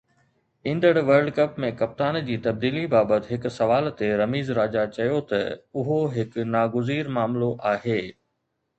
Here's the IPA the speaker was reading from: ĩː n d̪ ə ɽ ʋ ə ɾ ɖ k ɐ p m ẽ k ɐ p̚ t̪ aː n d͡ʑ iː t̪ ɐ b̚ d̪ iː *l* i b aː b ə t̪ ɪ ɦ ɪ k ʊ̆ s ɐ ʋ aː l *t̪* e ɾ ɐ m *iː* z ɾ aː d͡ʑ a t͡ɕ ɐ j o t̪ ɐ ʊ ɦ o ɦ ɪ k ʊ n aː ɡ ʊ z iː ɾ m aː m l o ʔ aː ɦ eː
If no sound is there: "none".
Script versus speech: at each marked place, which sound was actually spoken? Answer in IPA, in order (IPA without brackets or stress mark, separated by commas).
l, t̪, iː